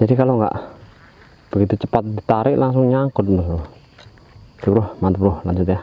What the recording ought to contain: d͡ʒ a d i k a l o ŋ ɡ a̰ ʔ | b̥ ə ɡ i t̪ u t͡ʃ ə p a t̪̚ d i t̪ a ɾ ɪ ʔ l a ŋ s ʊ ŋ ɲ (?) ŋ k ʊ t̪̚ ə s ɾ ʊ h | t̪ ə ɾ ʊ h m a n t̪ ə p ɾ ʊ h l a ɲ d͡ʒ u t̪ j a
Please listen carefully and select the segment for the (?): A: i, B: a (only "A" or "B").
B